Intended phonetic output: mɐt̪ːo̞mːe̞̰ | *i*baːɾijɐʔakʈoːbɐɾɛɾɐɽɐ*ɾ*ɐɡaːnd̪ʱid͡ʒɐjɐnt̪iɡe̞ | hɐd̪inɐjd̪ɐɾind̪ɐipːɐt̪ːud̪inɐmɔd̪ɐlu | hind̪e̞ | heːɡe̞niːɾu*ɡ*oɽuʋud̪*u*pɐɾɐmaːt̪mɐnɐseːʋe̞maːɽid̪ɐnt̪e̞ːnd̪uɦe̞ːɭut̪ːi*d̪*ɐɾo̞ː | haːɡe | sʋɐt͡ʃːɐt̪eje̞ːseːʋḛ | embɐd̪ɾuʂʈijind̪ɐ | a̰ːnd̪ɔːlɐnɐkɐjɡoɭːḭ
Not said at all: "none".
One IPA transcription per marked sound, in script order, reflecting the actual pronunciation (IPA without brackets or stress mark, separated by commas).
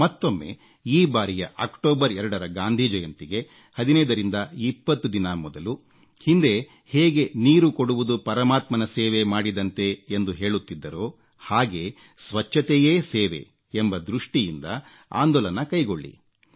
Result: iː, ɾ, k, u, d̪ː